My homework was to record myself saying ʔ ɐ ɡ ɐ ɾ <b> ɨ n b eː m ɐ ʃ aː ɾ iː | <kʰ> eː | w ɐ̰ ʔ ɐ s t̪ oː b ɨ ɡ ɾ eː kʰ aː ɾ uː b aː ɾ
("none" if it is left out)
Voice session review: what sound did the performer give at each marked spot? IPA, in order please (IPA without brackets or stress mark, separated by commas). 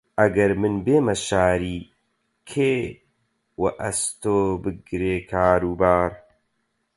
m, kʰ